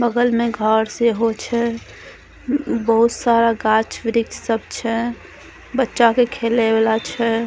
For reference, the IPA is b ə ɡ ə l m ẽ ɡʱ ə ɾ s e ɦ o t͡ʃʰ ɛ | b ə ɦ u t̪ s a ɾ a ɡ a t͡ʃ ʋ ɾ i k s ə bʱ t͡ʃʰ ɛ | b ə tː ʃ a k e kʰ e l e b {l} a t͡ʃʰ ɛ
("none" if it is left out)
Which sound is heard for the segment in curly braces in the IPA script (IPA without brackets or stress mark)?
l